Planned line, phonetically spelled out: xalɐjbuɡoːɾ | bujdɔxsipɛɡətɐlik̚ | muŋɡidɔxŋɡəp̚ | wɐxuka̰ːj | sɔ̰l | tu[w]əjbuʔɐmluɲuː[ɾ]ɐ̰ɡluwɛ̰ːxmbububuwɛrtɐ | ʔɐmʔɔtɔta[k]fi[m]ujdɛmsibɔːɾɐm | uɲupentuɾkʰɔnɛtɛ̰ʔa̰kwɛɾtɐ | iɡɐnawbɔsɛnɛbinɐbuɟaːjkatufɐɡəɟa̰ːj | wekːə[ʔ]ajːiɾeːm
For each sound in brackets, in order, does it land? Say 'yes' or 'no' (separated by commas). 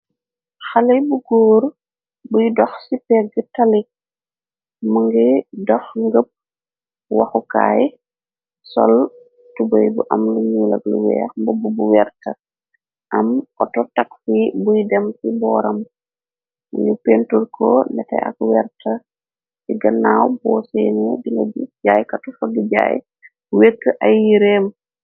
no, no, yes, no, yes